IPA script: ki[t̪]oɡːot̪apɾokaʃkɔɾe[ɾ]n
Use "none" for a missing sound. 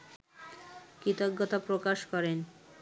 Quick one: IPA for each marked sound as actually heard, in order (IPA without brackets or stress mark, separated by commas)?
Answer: t̪, none